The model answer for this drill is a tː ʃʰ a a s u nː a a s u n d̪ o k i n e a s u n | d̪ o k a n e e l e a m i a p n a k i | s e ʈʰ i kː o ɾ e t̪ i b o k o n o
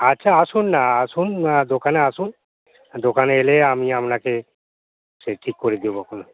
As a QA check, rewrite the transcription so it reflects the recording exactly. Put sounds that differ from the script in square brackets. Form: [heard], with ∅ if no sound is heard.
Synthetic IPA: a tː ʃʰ a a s u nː a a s u n d̪ o k [a] n e a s u n | d̪ o k a n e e l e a m i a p n a k [e] | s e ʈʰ i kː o ɾ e [d̪] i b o k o n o